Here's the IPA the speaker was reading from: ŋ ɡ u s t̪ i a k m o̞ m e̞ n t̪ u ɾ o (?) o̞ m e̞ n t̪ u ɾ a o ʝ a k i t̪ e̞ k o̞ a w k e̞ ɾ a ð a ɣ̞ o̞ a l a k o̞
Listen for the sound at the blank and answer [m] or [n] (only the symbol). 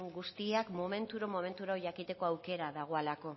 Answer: m